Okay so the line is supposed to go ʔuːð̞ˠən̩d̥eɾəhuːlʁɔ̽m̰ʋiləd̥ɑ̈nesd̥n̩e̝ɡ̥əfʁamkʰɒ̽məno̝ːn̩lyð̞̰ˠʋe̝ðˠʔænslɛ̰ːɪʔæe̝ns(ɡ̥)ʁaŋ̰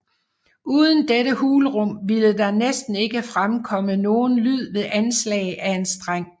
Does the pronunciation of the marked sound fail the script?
yes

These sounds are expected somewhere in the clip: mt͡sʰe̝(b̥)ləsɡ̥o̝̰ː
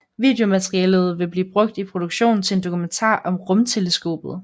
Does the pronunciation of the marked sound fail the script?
yes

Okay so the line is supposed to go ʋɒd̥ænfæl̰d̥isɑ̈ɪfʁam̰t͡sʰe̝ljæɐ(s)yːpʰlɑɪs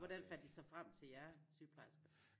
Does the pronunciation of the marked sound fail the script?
no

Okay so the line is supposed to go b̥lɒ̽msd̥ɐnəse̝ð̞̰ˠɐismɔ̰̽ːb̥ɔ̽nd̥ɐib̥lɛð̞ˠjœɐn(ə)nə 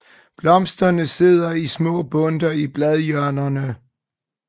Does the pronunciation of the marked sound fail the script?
yes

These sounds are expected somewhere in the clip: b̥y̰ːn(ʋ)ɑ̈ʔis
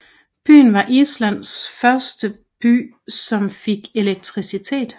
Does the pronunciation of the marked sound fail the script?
no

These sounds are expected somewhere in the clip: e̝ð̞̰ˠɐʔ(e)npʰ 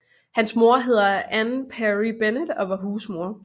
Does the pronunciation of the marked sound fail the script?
yes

